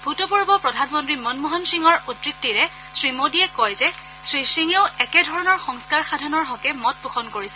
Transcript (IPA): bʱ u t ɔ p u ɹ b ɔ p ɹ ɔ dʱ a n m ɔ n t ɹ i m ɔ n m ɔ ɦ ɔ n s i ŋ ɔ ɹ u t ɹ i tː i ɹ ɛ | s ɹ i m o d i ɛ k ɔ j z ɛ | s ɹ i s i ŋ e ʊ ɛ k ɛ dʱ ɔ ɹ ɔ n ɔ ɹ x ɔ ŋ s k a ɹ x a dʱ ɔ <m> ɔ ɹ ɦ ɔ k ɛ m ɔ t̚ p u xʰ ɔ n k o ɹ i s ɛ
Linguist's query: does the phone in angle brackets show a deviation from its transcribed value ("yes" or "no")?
yes